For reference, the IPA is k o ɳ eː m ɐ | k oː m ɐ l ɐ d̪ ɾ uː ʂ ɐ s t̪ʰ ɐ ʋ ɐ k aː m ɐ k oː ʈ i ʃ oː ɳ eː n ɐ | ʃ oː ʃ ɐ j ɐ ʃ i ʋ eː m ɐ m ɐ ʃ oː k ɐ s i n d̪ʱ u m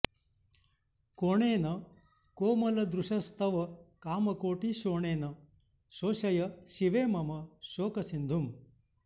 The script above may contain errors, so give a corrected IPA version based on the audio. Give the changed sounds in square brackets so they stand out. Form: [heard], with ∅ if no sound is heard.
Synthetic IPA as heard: k o ɳ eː [n] ɐ | k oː m ɐ l ɐ d̪ ɾ [u] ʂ ɐ s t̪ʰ ɐ ʋ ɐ k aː m ɐ k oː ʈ i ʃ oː ɳ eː n ɐ | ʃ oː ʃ ɐ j ɐ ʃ i ʋ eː m ɐ m ɐ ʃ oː k ɐ s i n d̪ʱ u m